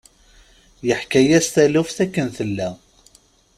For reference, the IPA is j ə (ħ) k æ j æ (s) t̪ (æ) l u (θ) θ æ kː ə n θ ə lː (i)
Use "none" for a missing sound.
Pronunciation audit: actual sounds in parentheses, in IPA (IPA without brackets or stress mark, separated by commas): ħ, s, æ, f, æ